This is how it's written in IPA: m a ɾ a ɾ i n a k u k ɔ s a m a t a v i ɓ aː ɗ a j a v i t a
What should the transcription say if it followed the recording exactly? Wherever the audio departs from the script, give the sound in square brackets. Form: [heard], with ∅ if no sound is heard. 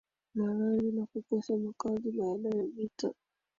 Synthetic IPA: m a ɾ a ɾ i n a k u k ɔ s a m a [k] a [z] i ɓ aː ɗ a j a v i t a